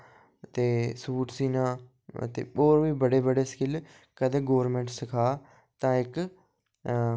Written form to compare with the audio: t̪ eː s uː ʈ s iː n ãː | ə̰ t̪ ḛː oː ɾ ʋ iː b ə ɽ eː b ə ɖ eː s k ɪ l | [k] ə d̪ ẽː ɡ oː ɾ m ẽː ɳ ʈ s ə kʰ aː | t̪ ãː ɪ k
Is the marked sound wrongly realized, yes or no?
no